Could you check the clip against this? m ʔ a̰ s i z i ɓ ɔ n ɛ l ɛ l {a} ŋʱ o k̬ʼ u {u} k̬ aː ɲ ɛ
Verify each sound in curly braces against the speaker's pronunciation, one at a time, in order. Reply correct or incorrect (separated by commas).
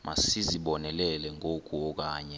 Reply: incorrect, incorrect